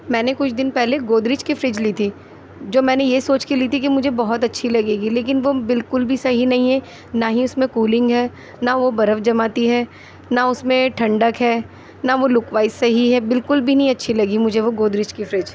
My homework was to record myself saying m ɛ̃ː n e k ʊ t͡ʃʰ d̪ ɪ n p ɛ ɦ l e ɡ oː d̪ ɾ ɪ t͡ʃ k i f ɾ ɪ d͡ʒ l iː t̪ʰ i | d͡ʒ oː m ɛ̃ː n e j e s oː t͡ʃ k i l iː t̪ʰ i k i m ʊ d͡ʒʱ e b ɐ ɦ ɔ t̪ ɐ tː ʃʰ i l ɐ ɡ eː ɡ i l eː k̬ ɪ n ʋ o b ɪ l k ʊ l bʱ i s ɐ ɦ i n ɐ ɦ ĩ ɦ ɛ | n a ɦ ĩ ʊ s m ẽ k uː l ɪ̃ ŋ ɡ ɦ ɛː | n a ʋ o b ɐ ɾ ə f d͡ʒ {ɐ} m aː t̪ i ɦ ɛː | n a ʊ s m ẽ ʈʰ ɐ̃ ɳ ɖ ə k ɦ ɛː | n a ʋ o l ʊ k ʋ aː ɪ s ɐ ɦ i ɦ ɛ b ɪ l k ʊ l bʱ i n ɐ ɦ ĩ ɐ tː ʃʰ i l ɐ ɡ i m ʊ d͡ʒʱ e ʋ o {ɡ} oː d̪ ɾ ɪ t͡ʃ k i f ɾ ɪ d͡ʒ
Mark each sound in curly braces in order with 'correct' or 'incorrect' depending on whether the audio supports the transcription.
correct, correct

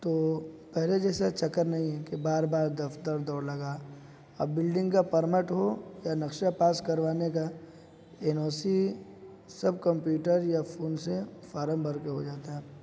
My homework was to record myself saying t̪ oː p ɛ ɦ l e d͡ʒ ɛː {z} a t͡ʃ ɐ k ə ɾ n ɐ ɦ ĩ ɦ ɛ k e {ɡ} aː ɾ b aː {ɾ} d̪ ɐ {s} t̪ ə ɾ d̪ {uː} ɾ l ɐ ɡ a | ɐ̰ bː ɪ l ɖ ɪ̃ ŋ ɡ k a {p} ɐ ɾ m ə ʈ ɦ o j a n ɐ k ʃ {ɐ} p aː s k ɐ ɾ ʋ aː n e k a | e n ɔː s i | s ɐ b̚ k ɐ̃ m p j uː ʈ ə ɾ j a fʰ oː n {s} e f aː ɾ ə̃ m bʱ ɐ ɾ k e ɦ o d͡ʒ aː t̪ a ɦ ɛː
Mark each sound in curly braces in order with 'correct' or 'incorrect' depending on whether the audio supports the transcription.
incorrect: s, incorrect: b, correct, incorrect: f, incorrect: ɔː, correct, incorrect: a, correct

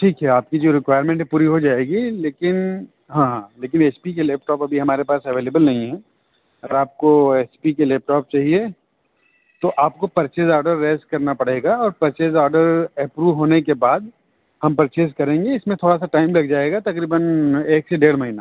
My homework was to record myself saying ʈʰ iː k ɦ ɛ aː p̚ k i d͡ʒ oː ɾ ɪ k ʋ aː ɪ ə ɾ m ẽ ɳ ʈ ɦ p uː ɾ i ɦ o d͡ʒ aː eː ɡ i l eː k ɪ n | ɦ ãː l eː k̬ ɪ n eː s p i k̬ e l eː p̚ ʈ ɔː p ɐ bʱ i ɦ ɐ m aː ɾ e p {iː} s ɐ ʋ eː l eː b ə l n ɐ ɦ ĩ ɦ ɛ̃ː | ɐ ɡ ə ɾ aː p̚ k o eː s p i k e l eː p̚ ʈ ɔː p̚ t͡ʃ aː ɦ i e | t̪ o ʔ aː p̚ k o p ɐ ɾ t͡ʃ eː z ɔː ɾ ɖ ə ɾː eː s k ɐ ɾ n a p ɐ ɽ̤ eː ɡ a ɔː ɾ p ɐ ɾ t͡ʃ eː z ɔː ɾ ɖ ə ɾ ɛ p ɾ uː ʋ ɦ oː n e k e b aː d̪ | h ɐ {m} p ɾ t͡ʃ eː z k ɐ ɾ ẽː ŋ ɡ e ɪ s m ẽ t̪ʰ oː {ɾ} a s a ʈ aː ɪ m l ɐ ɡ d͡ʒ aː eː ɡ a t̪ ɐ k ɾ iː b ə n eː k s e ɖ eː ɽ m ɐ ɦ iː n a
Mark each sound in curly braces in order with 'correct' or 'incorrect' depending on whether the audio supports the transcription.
incorrect: aː, correct, incorrect: ɽ

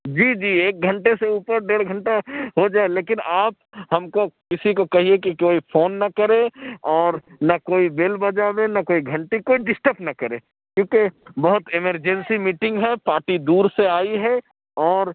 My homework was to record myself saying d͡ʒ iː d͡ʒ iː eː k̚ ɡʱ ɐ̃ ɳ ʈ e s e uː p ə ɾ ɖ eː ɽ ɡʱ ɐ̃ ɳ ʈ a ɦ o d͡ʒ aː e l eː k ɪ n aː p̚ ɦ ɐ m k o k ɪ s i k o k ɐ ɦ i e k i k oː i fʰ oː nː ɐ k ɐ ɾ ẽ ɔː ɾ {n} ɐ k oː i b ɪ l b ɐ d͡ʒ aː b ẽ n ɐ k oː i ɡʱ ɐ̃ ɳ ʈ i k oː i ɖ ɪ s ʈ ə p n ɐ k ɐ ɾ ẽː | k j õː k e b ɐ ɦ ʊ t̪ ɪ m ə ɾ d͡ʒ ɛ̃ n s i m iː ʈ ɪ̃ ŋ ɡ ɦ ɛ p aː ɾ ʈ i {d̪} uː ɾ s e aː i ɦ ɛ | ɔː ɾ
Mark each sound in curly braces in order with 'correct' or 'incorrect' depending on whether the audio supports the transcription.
correct, correct

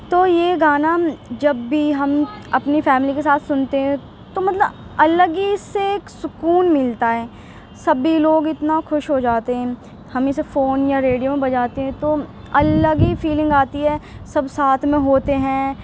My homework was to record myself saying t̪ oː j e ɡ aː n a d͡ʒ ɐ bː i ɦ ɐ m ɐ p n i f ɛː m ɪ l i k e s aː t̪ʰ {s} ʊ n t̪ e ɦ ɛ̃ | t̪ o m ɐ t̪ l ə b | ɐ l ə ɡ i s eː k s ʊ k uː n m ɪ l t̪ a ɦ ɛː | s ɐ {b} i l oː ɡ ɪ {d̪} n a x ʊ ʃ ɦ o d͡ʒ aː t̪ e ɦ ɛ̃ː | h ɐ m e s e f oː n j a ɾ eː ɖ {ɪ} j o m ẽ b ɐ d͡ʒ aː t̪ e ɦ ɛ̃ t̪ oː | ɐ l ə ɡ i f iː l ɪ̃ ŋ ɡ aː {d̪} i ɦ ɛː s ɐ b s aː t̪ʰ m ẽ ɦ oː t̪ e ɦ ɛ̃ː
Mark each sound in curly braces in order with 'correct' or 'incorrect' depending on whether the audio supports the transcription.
correct, correct, incorrect: t̪, incorrect: i, incorrect: t̪

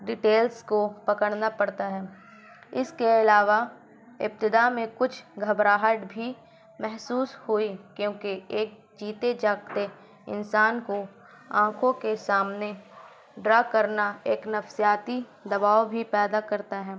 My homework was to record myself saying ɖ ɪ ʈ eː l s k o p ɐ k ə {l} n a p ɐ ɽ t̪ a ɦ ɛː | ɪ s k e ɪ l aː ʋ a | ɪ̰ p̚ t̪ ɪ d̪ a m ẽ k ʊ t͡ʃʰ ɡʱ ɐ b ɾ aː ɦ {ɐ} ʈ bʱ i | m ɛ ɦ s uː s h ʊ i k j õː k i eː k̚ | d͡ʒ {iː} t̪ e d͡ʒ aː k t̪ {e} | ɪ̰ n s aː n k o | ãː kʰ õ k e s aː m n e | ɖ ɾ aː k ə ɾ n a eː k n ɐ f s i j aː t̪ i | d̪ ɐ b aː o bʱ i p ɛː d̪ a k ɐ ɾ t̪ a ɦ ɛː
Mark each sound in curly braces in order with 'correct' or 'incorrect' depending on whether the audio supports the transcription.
incorrect: ɽ, incorrect: ə, correct, correct

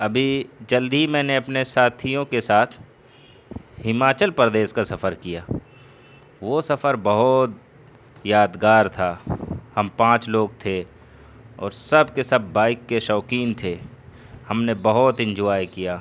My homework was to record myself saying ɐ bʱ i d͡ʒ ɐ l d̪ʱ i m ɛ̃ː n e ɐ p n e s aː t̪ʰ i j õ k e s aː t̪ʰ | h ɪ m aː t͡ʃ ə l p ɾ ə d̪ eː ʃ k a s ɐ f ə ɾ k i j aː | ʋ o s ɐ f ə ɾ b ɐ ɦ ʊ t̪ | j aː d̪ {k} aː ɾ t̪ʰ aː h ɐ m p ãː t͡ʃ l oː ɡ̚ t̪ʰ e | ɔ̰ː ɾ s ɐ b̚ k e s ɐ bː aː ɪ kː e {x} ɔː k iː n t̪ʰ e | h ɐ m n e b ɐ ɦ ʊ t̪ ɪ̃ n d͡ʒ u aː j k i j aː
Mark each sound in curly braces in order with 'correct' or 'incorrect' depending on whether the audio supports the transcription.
incorrect: ɡ, incorrect: ʃ

